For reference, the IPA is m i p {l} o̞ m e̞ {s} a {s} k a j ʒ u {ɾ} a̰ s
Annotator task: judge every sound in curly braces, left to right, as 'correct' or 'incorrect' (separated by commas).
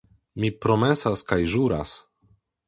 incorrect, correct, correct, correct